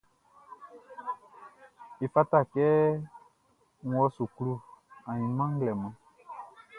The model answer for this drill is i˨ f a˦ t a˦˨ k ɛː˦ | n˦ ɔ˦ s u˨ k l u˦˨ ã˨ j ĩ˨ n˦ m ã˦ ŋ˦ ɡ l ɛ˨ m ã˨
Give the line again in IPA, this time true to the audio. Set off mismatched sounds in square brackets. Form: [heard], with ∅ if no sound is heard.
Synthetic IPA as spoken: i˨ f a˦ t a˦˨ k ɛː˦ | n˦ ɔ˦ s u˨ k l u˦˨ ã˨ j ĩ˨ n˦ m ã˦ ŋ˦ ɡ l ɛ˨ m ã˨